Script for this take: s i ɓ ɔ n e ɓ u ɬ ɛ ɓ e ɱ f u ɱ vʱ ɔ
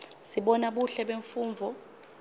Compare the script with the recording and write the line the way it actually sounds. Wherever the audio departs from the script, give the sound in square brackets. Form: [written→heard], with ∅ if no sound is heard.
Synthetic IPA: s i ɓ ɔ n [e→a] ɓ u ɬ ɛ ɓ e ɱ f [u→uː] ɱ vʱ ɔ